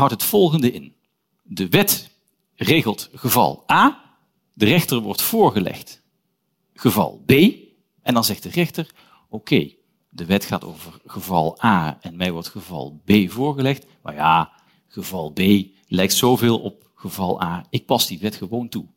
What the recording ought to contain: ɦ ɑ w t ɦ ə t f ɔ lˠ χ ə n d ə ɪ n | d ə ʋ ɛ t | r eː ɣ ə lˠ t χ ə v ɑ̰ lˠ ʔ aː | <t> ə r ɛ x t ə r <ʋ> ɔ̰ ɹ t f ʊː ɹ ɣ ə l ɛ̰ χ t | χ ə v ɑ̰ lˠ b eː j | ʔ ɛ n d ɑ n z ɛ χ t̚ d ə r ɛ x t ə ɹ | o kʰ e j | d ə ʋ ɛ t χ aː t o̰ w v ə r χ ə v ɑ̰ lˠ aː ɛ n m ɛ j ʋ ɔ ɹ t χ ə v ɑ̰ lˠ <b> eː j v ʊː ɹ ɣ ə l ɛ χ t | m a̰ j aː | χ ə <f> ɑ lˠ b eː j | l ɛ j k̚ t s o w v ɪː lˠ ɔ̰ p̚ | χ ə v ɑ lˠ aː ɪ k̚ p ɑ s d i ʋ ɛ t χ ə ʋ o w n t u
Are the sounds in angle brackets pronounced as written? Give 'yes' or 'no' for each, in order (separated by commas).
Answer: no, yes, yes, no